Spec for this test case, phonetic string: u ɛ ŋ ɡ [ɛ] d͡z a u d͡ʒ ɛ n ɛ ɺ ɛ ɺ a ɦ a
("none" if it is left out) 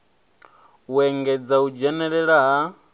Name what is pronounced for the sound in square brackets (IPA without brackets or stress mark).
ɛ